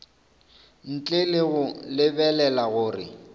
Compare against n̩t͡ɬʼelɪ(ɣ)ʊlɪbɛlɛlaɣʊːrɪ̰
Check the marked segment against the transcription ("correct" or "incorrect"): correct